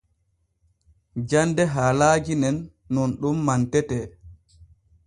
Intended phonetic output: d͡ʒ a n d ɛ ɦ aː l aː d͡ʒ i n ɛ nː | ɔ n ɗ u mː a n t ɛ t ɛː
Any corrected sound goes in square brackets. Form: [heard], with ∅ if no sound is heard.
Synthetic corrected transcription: d͡ʒ a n d ɛ ɦ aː l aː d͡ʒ i n ɛ nː | ɔ n ɗ u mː a n t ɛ t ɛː